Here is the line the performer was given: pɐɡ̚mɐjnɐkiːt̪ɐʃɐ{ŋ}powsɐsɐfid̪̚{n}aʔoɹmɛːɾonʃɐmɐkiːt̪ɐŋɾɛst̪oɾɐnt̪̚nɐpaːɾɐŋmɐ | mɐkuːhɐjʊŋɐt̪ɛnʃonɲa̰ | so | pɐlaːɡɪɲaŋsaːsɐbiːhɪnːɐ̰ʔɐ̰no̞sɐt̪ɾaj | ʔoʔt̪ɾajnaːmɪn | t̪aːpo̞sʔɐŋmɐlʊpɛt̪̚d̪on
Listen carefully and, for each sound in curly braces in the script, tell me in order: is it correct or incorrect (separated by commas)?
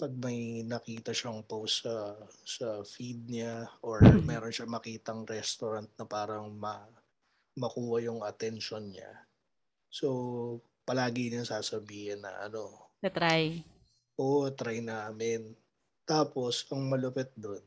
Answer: correct, incorrect